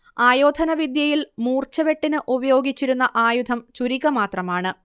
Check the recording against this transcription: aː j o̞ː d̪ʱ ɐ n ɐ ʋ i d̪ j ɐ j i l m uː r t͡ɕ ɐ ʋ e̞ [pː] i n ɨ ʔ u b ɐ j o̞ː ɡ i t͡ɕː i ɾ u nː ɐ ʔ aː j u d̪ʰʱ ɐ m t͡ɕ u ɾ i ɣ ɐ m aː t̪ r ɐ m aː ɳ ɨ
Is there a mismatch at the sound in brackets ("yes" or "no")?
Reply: yes